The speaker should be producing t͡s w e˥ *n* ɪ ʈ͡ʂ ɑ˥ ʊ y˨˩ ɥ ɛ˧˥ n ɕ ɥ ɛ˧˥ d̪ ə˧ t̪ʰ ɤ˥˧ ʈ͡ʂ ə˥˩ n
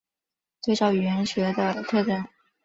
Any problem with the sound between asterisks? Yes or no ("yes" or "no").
yes